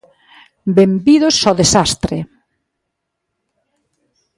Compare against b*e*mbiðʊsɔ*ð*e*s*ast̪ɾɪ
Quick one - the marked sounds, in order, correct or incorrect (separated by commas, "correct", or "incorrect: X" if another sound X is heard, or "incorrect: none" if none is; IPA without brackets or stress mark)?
correct, correct, correct